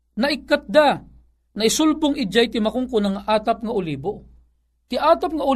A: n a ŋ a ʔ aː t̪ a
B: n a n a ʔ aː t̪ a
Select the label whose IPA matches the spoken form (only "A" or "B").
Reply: A